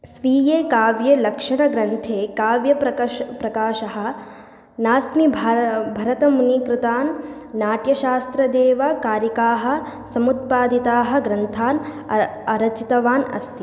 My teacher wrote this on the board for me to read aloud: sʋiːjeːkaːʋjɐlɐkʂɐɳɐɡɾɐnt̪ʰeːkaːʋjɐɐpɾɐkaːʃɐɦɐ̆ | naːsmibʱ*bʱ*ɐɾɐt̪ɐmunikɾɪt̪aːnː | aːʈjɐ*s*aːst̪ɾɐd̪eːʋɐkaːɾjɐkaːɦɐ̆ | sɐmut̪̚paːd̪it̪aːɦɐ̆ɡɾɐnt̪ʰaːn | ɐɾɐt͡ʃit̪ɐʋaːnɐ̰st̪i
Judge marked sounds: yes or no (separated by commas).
yes, no